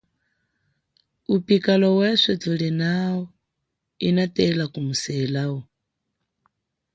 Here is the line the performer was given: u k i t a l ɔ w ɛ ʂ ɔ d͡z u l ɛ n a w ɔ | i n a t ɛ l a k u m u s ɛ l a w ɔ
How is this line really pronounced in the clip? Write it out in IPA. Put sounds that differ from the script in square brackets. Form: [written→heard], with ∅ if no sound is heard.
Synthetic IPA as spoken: u [k→p] i [t→k] a l ɔ w ɛ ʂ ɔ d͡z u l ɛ n a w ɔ | i n a t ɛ l a k u m u s ɛ l a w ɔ